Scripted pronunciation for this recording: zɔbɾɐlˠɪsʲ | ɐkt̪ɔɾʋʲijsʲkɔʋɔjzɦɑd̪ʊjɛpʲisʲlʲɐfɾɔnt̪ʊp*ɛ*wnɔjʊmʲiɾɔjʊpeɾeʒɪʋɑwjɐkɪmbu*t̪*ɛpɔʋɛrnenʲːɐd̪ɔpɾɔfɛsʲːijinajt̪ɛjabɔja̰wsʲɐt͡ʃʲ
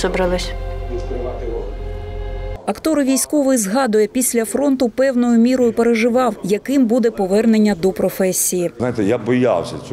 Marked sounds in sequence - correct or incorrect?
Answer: correct, incorrect

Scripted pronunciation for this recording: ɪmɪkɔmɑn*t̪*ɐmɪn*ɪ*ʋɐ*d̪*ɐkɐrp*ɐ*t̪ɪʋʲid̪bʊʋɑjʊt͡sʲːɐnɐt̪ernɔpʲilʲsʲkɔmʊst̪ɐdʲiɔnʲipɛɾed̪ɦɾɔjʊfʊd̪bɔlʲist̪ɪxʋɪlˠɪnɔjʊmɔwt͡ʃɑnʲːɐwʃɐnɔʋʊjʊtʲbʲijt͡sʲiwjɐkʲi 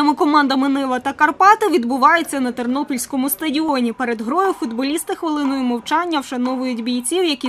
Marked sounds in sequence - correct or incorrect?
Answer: incorrect, correct, incorrect, incorrect

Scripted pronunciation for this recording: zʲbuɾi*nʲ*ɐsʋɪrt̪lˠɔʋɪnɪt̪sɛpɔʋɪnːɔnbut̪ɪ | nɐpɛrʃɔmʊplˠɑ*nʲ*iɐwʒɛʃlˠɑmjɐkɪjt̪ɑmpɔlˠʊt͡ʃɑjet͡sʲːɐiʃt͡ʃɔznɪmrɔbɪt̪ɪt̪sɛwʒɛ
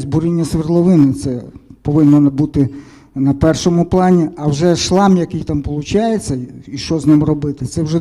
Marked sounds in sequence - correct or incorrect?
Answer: incorrect, correct

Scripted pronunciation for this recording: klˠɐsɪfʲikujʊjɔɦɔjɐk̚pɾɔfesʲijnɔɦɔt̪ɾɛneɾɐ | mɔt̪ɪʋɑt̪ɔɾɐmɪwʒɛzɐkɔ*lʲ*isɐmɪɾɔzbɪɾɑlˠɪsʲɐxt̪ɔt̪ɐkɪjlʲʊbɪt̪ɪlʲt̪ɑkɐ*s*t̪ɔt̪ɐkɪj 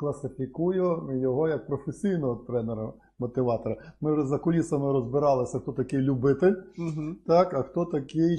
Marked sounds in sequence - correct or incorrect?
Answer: correct, incorrect

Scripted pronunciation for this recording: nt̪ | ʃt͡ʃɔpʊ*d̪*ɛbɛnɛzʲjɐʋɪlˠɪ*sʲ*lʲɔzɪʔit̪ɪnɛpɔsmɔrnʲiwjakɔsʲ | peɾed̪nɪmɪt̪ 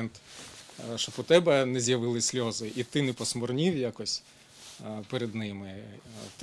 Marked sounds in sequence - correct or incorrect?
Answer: incorrect, correct

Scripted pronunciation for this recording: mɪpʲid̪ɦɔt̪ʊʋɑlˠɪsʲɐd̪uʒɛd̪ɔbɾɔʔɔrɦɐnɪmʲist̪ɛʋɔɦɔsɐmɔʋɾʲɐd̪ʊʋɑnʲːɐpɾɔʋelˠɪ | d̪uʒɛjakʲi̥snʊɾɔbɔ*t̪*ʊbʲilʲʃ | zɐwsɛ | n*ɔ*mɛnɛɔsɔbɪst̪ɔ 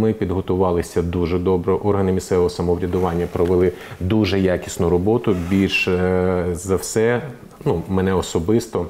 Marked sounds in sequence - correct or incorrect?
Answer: correct, incorrect

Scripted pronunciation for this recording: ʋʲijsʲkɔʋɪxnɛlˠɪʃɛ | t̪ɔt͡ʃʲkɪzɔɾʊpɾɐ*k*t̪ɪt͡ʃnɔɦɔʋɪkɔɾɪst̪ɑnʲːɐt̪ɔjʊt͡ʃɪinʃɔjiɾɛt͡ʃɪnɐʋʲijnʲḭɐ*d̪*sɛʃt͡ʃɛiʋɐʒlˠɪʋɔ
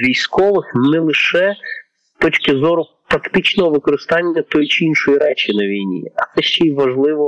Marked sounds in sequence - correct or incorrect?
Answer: correct, incorrect

